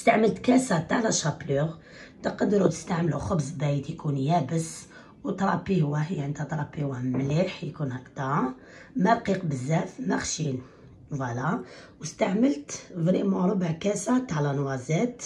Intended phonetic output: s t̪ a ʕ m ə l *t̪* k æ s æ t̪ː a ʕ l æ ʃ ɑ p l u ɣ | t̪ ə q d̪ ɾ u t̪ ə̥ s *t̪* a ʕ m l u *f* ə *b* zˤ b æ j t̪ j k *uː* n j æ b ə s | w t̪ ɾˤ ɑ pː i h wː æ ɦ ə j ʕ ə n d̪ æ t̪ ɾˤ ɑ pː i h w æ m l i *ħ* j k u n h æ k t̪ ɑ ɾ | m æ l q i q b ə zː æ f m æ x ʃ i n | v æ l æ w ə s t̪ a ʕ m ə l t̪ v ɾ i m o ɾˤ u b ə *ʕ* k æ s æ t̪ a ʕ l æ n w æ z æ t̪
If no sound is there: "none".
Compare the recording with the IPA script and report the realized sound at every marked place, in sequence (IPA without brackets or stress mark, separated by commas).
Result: t̪, t̪, x, b, u, ħ, ʕ